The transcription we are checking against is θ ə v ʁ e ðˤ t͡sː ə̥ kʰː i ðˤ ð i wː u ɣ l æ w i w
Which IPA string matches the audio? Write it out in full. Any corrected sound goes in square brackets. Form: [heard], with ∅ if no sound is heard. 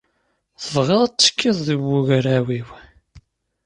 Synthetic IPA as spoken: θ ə v ʁ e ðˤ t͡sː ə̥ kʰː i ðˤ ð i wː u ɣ [ɾ] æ w i w